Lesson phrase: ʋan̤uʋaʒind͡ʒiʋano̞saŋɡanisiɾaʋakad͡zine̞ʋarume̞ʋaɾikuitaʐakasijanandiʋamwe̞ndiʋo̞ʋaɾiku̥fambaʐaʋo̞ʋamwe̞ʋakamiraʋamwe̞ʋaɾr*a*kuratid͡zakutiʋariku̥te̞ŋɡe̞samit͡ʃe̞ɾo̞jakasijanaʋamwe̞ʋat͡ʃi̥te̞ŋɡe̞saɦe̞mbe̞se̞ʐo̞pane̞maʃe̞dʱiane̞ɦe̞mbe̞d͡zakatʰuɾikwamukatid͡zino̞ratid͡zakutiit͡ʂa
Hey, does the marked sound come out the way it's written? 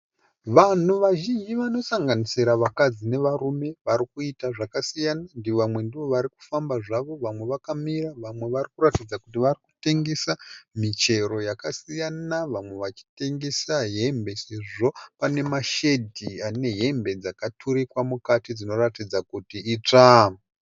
no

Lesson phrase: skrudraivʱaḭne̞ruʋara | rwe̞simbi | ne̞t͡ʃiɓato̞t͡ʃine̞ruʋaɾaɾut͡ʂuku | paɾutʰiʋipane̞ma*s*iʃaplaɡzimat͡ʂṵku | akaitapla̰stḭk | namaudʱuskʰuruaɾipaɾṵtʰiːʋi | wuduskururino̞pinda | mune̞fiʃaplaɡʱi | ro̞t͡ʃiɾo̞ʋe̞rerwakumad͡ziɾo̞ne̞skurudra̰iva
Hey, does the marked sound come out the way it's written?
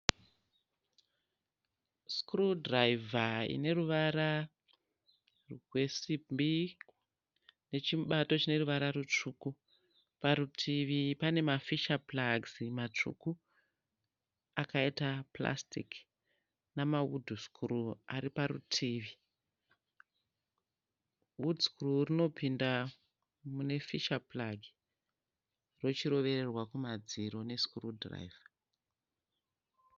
no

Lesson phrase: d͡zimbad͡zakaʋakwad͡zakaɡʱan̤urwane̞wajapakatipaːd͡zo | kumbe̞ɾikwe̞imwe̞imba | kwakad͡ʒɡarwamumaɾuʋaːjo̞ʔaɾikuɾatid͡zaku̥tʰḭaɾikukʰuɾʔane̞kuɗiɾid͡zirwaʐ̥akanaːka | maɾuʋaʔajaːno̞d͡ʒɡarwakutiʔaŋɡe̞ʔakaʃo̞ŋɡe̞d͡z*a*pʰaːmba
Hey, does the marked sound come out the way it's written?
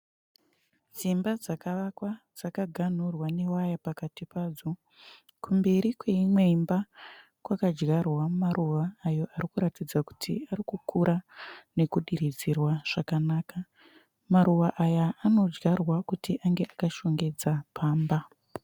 yes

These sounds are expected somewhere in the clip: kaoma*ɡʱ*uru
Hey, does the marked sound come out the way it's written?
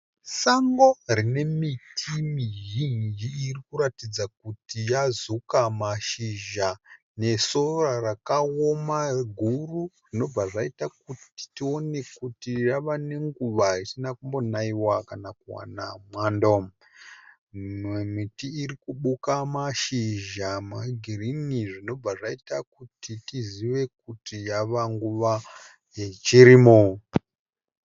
yes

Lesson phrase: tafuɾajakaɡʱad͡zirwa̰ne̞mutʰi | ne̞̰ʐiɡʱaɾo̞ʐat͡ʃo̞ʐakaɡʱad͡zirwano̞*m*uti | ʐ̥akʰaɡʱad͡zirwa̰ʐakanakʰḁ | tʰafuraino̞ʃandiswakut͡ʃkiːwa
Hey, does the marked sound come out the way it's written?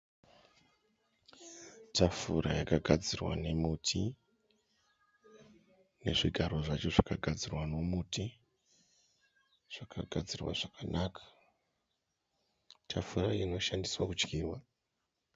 yes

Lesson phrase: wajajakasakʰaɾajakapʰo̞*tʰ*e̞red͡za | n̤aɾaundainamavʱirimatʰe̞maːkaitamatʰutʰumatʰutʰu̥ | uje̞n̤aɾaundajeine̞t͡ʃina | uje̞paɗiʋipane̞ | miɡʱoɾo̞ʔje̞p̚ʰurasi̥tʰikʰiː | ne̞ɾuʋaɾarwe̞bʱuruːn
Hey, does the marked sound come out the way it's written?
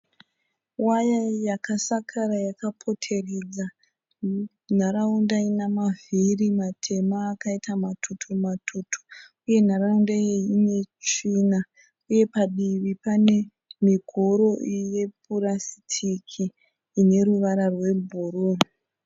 yes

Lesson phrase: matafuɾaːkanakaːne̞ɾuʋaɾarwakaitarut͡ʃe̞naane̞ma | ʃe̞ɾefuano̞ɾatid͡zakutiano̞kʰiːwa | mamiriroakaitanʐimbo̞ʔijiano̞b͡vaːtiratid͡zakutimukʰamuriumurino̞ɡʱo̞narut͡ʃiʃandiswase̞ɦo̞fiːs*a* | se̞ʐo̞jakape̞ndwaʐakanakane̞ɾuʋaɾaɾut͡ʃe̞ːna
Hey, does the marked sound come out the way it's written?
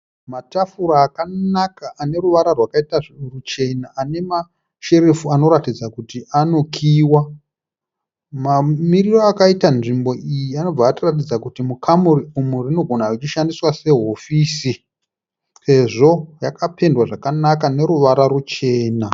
no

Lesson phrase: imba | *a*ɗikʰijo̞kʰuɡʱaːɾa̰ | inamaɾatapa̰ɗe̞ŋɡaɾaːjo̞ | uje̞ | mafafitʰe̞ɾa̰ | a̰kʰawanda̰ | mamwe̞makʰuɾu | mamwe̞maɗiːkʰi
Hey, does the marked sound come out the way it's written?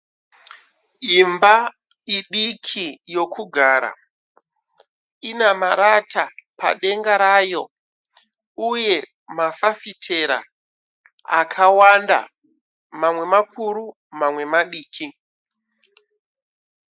no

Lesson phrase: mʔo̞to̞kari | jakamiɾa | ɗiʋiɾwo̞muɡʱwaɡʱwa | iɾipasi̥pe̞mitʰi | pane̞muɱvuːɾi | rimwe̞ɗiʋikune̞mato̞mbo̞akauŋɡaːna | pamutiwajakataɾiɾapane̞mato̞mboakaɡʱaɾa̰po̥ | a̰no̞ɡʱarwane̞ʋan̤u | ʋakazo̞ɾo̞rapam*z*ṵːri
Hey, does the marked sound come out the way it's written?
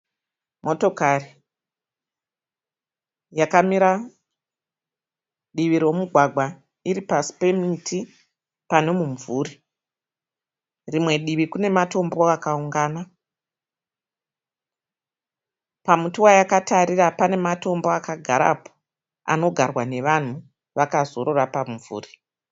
no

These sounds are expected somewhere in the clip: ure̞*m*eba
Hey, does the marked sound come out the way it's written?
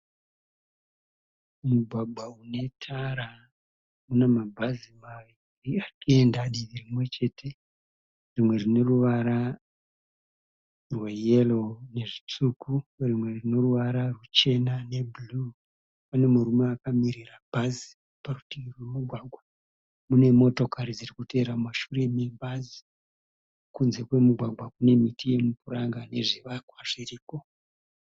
yes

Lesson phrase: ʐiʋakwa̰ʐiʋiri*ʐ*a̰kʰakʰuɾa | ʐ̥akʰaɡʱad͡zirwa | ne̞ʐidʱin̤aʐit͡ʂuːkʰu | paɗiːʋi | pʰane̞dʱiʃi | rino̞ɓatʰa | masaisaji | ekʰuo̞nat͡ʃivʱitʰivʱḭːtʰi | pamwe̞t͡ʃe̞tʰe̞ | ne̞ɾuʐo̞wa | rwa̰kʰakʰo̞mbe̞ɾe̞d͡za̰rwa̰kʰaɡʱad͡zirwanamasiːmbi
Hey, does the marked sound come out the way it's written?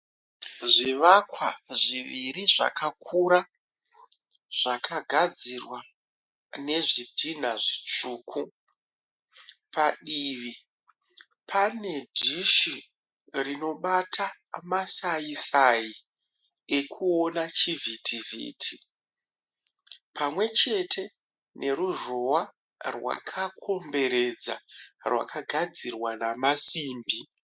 yes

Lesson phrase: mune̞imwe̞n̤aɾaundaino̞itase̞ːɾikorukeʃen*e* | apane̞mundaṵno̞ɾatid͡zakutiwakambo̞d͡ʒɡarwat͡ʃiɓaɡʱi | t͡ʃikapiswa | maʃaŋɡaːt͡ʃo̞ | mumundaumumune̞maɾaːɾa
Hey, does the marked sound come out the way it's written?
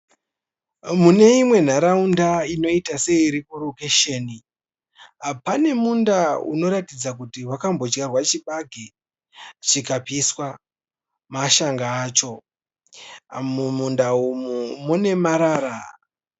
no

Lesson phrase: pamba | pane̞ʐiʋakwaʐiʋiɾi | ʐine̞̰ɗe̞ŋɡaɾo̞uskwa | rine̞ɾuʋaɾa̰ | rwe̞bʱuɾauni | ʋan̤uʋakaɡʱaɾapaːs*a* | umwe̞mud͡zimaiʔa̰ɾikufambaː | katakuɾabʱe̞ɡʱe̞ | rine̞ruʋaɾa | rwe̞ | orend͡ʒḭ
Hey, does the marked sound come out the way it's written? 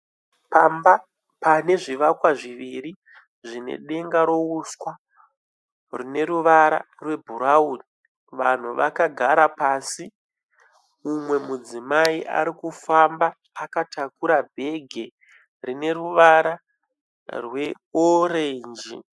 no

